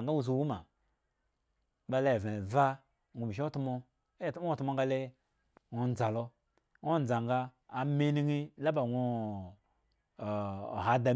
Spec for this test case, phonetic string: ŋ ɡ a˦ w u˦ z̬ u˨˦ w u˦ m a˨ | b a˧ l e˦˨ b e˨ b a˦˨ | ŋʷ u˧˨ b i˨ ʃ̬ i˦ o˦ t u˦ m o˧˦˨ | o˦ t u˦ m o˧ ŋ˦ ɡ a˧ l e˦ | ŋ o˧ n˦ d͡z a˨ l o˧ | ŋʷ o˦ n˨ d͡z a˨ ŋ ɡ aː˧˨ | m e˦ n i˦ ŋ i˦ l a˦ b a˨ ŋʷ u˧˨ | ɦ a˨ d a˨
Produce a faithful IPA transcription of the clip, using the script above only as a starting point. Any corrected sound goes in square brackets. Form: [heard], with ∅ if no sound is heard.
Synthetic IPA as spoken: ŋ ɡ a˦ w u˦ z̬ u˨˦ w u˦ m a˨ | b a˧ l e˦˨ [v] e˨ [v] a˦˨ | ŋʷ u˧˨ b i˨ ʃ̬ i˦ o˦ t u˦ m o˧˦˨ | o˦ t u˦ m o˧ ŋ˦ ɡ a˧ l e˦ | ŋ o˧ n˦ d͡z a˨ l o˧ | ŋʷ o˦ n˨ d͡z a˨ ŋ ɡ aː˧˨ | m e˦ n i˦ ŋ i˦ l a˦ b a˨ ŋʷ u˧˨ | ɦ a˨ d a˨

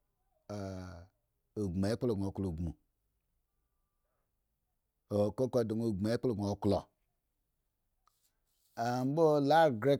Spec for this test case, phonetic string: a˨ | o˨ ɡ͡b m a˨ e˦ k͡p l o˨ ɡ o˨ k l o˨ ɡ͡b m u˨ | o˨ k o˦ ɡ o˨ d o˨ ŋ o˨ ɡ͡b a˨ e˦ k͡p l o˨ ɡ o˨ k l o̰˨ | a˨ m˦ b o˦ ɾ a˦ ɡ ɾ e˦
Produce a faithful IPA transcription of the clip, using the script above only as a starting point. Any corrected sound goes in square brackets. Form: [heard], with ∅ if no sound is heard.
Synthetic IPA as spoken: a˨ | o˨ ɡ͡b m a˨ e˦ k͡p l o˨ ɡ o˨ k l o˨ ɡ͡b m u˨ | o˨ k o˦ [k] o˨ d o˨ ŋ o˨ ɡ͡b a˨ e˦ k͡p l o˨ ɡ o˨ k l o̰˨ | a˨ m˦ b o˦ [l] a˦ ɡ ɾ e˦

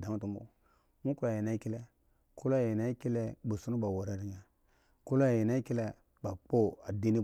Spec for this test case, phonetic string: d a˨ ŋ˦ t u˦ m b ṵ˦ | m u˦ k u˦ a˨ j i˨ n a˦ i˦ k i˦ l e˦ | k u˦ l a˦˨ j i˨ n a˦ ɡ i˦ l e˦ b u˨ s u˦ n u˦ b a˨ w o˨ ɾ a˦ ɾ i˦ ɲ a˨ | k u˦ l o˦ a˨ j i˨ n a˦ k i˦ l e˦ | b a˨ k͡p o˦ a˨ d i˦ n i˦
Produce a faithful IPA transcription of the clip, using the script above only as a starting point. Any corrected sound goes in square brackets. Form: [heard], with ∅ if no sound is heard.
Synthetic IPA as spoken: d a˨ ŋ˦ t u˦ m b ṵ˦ | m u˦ k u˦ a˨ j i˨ n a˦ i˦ k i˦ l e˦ | k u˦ l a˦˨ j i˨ n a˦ [k] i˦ l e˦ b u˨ s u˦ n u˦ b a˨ w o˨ ɾ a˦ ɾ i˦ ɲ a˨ | k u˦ l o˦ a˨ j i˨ n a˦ k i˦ l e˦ | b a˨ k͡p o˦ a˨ d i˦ n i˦

